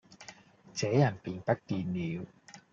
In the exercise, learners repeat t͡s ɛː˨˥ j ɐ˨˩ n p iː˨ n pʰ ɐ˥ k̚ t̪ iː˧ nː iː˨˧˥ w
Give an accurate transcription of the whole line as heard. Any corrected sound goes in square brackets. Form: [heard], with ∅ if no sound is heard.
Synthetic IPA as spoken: t͡s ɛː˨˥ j ɐ˨˩ n p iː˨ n [p] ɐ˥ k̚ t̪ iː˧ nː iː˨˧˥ w